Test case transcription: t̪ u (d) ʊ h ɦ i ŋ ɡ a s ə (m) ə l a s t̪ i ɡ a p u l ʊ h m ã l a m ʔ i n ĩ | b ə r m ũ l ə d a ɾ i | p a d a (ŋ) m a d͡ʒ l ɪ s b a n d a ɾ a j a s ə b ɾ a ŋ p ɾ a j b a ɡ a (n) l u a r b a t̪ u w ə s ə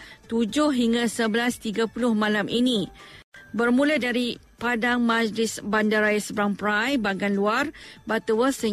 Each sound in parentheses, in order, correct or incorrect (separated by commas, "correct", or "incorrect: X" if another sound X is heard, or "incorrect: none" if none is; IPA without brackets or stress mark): incorrect: d͡ʒ, incorrect: b, correct, correct